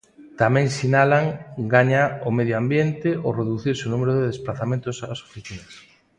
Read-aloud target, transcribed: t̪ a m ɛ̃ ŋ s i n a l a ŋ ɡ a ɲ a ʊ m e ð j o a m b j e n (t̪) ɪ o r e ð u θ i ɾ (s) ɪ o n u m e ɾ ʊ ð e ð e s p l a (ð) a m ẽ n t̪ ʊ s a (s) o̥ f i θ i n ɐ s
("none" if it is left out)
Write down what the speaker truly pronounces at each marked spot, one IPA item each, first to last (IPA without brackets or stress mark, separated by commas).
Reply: t̪, s, θ, s